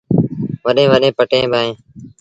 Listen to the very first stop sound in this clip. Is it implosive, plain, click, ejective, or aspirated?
implosive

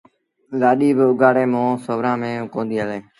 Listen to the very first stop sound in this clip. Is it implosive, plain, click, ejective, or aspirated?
implosive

